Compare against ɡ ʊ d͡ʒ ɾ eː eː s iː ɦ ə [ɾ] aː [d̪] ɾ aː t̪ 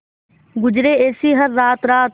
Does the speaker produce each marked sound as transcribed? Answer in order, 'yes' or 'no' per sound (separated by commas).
no, no